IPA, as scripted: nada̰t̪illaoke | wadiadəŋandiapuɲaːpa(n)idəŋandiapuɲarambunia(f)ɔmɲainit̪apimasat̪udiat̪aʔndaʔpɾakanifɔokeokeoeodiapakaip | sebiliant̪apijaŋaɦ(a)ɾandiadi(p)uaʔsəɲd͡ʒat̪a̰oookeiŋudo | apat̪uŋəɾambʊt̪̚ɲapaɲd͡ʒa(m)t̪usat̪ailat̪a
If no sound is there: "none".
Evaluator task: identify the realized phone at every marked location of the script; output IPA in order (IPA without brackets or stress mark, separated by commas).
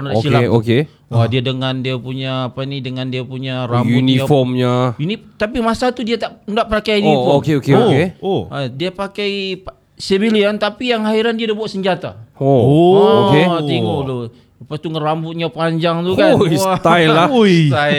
n, f, i, b, ŋ